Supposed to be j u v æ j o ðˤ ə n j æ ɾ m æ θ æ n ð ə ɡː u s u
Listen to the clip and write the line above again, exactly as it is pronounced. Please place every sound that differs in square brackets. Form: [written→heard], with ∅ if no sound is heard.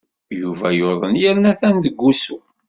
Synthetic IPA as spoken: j u v æ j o ðˤ ə n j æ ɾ [m→n] æ θ æ n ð ə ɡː u s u